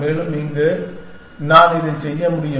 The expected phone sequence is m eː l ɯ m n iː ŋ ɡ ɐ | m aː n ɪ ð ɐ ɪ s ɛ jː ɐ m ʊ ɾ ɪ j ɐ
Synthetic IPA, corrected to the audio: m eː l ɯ m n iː ŋ ɡ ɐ | n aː n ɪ ð ɐ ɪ s ɛ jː ɐ m ʊ ɽ ɪ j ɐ